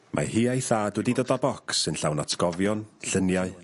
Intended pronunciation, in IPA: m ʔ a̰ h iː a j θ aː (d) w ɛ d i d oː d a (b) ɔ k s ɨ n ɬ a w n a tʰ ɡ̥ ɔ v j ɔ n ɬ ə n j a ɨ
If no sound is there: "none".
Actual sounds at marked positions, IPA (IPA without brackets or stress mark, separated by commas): d, b